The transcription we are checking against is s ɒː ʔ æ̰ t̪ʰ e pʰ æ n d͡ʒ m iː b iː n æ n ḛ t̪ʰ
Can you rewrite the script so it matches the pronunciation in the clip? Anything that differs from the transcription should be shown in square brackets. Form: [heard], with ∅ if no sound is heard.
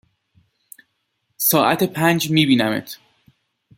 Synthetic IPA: s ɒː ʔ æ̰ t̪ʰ e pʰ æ n d͡ʒ m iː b iː n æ [m] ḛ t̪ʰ